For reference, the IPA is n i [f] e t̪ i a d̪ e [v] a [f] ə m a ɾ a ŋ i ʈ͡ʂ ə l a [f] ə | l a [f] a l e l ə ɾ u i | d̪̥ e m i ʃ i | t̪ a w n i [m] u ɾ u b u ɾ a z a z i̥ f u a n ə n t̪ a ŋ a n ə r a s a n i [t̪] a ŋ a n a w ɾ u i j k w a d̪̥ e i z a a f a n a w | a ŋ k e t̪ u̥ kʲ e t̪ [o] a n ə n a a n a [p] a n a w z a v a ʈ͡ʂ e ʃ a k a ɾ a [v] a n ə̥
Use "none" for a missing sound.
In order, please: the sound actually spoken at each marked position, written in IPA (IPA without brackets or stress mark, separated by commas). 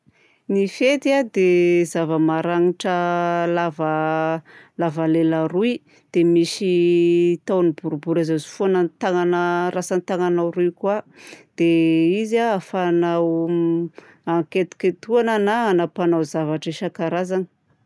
f, z, v, v, v, b, t̪, u, p, z